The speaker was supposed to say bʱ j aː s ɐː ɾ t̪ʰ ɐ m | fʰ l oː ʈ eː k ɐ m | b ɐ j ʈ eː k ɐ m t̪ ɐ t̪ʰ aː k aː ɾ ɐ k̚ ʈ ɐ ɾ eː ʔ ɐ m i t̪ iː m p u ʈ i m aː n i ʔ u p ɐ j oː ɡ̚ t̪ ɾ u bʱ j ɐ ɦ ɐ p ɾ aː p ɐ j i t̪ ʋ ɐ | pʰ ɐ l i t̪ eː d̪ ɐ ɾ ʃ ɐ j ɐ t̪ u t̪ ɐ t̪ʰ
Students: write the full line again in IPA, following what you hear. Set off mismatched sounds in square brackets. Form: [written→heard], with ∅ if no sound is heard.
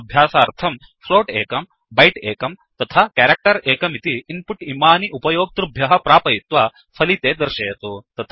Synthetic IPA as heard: bʱ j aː s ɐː ɾ t̪ʰ ɐ m | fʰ l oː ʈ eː k ɐ m | b ɐ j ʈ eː k ɐ m t̪ ɐ t̪ʰ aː k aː ɾ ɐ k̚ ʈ ɐ ɾ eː [ʔ→k] ɐ m i t̪ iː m p u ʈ i m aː n i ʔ u p ɐ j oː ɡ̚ t̪ ɾ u bʱ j ɐ ɦ ɐ p ɾ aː p ɐ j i t̪ ʋ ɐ | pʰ ɐ l i t̪ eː d̪ ɐ ɾ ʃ ɐ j ɐ t̪ u t̪ ɐ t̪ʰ